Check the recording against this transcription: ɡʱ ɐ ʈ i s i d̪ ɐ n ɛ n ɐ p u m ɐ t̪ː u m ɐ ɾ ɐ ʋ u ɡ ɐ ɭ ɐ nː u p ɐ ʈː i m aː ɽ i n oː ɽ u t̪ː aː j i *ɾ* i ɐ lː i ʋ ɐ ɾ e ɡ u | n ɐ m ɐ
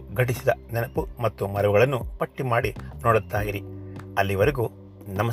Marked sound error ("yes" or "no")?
no